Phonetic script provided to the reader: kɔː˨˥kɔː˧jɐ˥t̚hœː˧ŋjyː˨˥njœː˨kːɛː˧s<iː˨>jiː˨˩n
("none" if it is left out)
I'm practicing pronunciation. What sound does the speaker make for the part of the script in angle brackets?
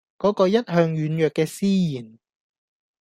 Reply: iː˥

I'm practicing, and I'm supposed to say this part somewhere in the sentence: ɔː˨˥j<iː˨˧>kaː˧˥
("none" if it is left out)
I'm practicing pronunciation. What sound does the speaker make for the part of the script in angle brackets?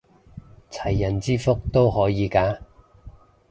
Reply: iː˨˧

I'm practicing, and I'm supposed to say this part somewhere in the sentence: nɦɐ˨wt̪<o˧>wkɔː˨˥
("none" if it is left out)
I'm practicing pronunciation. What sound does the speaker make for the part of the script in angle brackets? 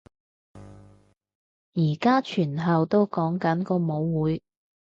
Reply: o˥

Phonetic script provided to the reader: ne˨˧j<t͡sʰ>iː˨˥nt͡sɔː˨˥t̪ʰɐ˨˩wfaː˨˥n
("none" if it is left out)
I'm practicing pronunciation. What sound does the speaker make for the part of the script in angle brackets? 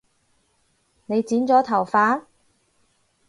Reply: t͡s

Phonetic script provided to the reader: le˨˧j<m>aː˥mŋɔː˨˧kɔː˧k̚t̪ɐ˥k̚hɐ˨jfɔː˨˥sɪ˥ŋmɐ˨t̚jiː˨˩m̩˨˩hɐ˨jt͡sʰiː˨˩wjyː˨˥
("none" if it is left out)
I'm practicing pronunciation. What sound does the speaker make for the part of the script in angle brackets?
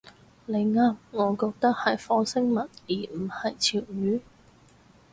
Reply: ŋ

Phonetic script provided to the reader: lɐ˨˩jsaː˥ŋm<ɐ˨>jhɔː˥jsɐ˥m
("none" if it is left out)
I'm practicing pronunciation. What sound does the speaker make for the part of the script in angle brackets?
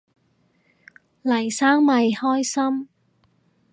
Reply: ɐ˨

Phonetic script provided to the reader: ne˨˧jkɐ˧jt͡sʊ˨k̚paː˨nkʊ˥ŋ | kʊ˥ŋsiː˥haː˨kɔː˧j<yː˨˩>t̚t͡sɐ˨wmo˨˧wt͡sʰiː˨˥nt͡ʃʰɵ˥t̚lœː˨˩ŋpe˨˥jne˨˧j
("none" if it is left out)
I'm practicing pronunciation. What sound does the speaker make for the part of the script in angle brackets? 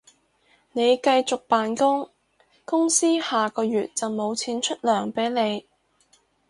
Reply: yː˨˩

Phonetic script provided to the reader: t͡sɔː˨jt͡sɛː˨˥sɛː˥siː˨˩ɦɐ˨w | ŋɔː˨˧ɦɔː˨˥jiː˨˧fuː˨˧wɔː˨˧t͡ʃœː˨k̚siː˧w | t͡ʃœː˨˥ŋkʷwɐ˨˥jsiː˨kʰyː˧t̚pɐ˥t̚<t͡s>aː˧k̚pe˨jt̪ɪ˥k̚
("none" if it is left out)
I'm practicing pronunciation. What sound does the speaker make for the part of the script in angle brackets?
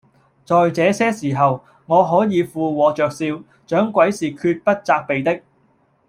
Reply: t͡s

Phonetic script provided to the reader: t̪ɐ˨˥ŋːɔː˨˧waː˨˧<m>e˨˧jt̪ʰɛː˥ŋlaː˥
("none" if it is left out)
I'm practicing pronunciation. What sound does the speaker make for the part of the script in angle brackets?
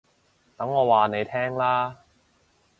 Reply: n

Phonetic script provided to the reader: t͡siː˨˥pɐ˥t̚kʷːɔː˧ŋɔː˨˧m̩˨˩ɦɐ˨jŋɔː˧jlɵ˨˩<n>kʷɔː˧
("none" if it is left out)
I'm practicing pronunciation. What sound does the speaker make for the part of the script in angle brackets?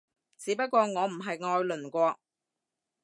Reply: n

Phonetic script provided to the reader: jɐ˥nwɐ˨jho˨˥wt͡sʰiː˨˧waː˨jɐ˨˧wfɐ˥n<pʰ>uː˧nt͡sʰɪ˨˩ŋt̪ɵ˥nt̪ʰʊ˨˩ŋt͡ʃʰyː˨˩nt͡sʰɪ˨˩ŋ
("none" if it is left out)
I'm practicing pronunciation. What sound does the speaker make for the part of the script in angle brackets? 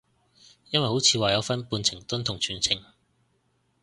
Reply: p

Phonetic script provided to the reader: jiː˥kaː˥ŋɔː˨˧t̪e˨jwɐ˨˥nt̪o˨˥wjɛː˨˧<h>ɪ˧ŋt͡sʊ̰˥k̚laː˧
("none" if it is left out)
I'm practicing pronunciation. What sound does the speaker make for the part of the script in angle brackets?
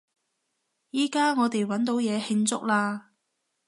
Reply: h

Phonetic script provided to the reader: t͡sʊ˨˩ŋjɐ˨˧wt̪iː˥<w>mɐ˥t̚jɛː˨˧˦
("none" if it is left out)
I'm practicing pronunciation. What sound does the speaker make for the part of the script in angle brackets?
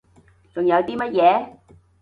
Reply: none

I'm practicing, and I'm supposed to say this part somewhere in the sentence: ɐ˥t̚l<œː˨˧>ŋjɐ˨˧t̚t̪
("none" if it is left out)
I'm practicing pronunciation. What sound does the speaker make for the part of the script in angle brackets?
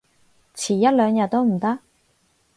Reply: œː˨˧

